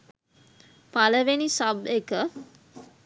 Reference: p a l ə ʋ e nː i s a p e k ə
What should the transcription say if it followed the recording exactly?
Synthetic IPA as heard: p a l ə ʋ e n i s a b e k ə